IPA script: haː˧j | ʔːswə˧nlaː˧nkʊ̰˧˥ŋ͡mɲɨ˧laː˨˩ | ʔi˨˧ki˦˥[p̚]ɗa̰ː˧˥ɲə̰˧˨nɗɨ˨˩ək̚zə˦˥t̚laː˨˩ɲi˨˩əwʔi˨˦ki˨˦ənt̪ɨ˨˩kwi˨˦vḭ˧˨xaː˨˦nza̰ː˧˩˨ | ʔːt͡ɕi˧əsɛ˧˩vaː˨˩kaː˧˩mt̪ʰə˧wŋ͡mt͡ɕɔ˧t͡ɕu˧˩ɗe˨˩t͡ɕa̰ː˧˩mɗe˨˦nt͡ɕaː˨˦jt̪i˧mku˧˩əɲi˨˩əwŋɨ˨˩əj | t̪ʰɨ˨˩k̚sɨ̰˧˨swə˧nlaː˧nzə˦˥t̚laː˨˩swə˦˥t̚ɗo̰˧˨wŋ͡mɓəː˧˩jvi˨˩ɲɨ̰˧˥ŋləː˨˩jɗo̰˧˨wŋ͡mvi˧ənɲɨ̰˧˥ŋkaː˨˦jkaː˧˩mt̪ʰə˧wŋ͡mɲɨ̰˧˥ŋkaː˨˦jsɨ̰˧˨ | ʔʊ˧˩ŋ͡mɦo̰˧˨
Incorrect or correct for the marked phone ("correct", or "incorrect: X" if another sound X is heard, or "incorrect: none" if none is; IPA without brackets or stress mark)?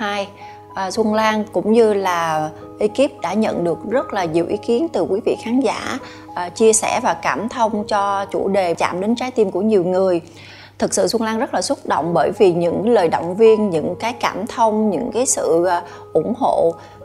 correct